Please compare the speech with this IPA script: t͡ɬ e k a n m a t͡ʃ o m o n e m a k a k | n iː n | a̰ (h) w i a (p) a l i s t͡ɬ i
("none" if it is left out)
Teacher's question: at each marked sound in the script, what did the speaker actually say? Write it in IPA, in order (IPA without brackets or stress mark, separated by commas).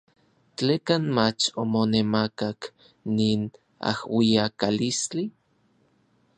h, k